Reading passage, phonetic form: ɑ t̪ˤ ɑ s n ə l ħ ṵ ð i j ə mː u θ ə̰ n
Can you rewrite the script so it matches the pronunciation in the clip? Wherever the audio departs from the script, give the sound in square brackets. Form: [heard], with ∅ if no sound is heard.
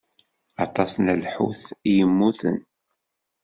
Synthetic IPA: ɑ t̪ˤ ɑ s n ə l ħ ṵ [θ] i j ə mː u θ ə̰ n